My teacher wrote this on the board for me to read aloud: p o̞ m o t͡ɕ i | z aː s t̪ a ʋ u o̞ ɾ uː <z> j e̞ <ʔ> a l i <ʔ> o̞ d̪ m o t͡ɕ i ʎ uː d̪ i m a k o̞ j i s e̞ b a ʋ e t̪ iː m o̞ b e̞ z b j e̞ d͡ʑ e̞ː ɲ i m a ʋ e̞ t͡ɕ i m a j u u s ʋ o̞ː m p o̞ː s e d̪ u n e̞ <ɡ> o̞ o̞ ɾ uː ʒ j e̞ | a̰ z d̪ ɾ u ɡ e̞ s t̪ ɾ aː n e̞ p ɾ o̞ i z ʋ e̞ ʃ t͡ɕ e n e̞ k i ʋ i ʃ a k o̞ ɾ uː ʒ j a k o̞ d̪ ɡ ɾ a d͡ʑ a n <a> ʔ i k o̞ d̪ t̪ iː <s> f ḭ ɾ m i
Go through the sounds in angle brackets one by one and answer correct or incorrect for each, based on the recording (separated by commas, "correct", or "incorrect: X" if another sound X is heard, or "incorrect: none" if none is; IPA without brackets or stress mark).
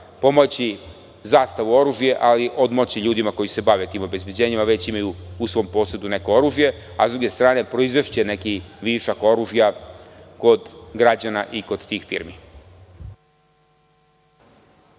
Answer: incorrect: ʒ, correct, correct, incorrect: k, correct, incorrect: x